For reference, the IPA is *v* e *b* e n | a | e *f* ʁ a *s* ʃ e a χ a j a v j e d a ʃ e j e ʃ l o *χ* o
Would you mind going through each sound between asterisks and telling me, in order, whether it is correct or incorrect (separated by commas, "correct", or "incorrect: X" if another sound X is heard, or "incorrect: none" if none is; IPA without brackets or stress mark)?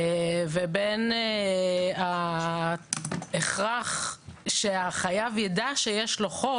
correct, correct, incorrect: χ, incorrect: χ, correct